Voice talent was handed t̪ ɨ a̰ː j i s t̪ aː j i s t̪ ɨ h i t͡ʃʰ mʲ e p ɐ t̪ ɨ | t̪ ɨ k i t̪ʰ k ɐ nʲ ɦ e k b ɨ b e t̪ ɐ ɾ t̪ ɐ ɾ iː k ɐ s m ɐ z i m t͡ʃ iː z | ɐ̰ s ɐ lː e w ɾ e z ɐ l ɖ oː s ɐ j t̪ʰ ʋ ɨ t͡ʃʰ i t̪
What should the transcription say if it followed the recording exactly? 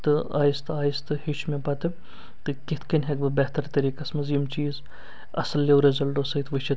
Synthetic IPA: t̪ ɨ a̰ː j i s t̪ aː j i s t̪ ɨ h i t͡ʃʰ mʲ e p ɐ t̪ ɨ | t̪ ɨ k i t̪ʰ k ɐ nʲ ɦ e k b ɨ b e t̪ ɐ ɾ t̪ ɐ ɾ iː k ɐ s m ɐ z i m t͡ʃ iː z | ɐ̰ s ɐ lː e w ɾ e z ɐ l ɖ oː s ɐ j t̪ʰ ʋ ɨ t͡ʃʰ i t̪

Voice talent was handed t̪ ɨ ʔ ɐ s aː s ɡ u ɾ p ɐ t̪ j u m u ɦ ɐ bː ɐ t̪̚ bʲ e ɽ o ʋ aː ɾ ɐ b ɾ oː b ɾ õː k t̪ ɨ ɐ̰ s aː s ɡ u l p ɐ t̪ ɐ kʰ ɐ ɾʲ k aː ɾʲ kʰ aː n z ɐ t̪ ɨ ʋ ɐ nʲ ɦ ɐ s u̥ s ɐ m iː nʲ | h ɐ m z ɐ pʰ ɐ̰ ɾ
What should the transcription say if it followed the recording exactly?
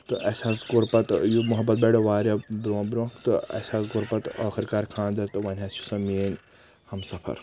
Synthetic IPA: t̪ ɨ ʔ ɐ s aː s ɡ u ɾ p ɐ t̪ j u m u ɦ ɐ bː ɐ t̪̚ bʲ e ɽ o ʋ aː ɾ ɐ b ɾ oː b ɾ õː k t̪ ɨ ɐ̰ s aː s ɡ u ɾ p ɐ t̪ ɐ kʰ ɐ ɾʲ k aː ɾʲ kʰ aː n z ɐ t̪ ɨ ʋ ɐ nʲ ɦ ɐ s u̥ s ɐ m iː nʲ | h ɐ m s ɐ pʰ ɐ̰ ɾ

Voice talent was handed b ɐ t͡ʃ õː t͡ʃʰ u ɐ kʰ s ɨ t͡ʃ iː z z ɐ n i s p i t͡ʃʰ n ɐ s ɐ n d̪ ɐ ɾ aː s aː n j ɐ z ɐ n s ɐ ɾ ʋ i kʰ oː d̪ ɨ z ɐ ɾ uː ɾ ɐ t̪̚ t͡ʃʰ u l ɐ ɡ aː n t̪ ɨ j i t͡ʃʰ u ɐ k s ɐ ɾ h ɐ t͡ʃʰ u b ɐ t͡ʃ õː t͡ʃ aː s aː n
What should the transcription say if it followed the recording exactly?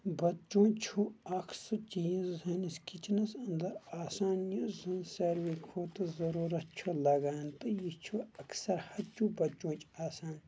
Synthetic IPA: b ɐ t͡ʃ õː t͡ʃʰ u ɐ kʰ s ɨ t͡ʃ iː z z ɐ n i s k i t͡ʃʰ n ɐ s ɐ n d̪ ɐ ɾ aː s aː n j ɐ z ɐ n s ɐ ɾ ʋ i kʰ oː t̪ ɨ z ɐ ɾ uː ɾ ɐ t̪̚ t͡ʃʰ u l ɐ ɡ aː n t̪ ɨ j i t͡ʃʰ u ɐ k s ɐ ɾ h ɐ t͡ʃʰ u b ɐ t͡ʃ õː t͡ʃ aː s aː n

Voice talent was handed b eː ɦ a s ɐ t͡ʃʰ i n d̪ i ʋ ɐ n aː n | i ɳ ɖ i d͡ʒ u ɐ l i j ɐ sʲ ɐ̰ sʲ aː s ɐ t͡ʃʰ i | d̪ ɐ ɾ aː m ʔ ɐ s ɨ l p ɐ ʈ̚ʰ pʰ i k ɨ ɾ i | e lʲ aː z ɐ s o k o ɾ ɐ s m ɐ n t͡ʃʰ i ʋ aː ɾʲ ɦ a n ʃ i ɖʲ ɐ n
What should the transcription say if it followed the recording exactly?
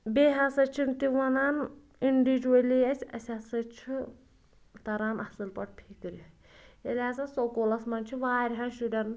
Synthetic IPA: b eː ɦ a s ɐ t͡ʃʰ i n t̪ i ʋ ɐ n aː n | i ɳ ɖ i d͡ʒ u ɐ l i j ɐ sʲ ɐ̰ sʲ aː s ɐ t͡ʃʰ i | t̪ ɐ ɾ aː n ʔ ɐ s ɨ l p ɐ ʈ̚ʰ pʰ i k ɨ ɾ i | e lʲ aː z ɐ s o k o l ɐ s m ɐ n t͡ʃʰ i ʋ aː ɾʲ ɦ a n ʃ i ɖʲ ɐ n

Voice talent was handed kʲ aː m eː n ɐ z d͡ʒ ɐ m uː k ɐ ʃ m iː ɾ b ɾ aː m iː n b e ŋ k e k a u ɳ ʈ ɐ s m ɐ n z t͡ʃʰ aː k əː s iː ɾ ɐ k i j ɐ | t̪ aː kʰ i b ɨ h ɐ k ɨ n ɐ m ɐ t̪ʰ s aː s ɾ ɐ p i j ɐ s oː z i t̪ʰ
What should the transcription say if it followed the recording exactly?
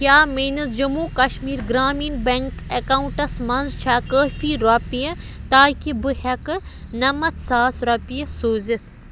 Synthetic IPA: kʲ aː m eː n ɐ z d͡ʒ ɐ m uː k ɐ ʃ m iː ɾ ɡ ɾ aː m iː n b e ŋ k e k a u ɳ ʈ ɐ s m ɐ n z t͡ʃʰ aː k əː f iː ɾ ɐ p i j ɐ | t̪ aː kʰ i b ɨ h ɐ k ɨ n ɐ m ɐ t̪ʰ s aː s ɾ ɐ p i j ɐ s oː z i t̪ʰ

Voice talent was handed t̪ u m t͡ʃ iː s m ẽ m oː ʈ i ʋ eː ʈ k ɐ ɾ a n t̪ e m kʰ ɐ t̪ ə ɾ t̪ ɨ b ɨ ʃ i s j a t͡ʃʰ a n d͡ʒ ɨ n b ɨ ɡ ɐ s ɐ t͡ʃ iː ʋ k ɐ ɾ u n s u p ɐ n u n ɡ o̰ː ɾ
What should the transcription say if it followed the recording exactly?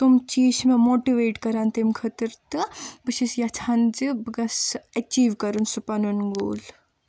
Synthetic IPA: t̪ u m t͡ʃ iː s m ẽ m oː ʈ i ʋ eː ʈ k ɐ ɾ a n t̪ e m kʰ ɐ t̪ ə ɾ t̪ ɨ b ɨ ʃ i s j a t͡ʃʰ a n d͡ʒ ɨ b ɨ ɡ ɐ s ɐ t͡ʃ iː ʋ k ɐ ɾ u n s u p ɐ n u n ɡ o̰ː l

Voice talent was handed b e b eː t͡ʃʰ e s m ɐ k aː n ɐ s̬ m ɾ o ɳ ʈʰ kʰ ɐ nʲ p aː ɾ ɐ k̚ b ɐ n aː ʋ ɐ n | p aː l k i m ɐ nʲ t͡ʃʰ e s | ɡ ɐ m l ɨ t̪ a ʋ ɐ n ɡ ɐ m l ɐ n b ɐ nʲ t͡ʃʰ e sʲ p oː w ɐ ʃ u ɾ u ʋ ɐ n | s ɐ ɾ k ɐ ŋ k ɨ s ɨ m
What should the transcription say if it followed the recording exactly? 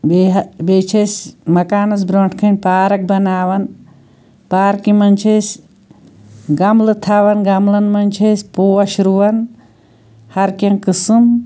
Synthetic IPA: b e b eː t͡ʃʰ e s m ɐ k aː n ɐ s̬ b ɾ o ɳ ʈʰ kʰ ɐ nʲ p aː ɾ ɐ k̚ b ɐ n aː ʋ ɐ n | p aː ɾ k i m ɐ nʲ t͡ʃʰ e s | ɡ ɐ m l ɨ t̪ʰ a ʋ ɐ n ɡ ɐ m l ɐ n m ɐ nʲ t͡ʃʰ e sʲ p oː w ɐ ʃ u ɾ u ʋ ɐ n | h ɐ ɾ k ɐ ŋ k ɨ s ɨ m

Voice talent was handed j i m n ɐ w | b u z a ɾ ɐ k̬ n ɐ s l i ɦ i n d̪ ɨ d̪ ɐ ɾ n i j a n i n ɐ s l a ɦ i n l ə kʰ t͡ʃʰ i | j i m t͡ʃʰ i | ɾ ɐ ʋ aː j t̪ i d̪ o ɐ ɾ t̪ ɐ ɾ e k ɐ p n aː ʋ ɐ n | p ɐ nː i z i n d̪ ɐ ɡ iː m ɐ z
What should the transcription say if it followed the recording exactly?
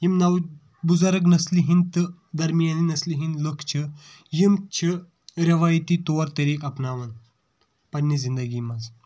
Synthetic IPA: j i m n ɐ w | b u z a ɾ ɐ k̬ n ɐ s l i ɦ i n t̪ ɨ d̪ ɐ ɾ m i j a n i n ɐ s l i ɦ i n l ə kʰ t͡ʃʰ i | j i m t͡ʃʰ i | ɾ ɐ ʋ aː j t̪ i t̪ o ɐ ɾ t̪ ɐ ɾ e k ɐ p n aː ʋ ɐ n | p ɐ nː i z i n d̪ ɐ ɡ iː m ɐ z

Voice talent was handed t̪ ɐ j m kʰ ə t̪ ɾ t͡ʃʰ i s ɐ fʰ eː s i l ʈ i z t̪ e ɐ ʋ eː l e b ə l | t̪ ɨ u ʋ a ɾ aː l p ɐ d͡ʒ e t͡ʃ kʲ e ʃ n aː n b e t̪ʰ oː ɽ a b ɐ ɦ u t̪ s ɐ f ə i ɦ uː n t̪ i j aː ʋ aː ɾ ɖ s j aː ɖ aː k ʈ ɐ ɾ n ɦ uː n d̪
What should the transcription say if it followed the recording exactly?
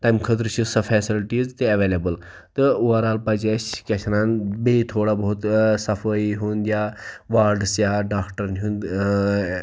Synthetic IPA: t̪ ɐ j m kʰ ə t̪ ɾ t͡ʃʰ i s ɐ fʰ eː s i l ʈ i z t̪ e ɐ ʋ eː l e b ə l | t̪ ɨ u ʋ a ɾ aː l p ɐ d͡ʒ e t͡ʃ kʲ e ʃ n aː n b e t̪ʰ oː ɽ a b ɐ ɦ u t̪ s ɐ f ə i ɦ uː n d̪ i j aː ʋ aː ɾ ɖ s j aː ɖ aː k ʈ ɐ ɾ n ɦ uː n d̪

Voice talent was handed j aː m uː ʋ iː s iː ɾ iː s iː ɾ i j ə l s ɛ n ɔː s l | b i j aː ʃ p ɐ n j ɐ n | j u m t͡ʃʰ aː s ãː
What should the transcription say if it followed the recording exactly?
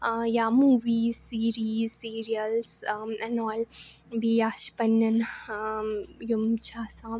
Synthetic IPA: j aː m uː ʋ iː s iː ɾ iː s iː ɾ i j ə l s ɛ n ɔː l | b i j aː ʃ p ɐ n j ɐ n | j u m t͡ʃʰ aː s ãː

